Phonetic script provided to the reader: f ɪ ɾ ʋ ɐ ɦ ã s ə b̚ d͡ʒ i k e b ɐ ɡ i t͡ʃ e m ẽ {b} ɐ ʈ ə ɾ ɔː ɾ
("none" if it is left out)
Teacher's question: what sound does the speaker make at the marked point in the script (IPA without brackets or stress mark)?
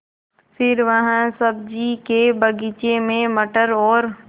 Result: m